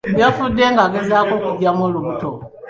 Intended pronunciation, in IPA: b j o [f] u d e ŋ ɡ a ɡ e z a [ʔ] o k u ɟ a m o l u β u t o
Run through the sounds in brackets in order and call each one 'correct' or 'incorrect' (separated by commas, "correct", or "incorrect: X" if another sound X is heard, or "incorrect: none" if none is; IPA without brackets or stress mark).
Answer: correct, incorrect: k